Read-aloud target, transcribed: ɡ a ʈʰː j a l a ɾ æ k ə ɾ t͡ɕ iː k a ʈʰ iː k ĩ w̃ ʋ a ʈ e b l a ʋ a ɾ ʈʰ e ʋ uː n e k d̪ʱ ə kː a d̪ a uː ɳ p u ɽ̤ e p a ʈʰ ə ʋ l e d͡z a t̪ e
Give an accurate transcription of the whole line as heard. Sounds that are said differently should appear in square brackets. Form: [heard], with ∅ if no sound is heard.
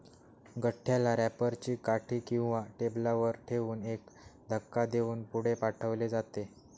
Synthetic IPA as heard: ɡ [ə] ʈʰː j a l a ɾ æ [p] ə ɾ t͡ɕ iː k a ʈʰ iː k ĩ w̃ ʋ a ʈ e b l a ʋ [ə] ɾ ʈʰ e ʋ uː n e k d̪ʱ ə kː a d̪ [e] uː [n] p u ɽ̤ e p a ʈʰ ə ʋ l e d͡z a t̪ e